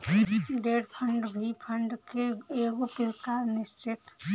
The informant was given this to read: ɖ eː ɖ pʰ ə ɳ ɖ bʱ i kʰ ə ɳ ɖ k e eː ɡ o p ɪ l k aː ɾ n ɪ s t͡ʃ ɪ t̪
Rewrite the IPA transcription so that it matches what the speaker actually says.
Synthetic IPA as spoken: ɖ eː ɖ pʰ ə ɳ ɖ bʱ i pʰ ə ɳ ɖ k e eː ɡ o p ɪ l k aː ɾ n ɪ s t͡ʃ ɪ t̪